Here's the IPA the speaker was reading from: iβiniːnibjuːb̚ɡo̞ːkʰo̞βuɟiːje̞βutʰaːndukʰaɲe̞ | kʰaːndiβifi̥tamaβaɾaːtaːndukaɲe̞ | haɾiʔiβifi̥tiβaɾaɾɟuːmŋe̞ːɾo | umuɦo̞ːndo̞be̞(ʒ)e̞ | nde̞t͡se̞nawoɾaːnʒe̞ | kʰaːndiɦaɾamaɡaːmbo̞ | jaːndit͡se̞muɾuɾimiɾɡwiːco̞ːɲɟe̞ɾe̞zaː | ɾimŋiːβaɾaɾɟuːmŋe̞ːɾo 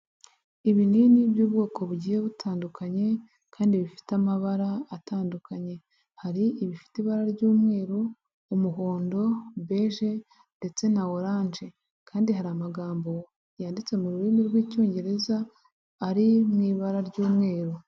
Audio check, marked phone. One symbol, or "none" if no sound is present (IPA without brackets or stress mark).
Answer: ʒ